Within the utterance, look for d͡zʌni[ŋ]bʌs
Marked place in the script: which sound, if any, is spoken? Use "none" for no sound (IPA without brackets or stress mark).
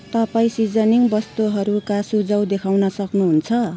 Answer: ŋ